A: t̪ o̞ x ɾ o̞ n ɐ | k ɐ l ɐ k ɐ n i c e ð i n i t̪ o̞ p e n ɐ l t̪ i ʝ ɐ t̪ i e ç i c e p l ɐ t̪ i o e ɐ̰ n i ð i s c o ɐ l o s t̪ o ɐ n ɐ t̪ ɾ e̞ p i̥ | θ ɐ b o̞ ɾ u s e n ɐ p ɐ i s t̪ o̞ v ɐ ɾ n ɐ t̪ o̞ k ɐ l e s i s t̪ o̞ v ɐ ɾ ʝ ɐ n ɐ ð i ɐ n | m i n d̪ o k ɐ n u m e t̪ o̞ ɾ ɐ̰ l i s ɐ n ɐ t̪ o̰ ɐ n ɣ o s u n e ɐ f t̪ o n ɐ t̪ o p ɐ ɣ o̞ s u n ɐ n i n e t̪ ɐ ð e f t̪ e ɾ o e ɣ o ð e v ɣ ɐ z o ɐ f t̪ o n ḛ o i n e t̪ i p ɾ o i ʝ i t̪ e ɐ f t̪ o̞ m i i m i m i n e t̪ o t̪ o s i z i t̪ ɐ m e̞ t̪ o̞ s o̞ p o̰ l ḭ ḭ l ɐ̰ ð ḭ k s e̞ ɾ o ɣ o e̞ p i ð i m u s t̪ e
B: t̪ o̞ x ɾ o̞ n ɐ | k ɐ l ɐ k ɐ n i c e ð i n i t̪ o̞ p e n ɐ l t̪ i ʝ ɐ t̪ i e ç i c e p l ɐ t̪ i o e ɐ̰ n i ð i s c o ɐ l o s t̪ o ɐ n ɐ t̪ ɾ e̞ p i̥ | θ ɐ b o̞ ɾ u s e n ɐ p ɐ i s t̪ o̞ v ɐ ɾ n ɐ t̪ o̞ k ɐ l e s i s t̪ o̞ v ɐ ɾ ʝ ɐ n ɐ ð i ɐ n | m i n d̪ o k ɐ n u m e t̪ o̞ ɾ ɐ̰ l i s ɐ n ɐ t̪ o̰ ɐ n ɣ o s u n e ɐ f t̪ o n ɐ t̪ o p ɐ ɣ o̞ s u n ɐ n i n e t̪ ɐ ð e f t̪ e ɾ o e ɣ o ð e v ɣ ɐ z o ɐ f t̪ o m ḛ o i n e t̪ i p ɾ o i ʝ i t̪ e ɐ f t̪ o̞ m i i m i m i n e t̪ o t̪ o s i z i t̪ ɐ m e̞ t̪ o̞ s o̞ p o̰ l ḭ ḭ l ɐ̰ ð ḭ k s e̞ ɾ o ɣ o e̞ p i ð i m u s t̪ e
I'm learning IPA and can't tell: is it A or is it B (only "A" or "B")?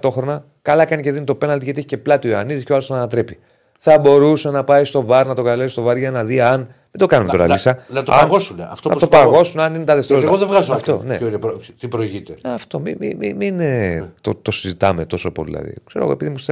A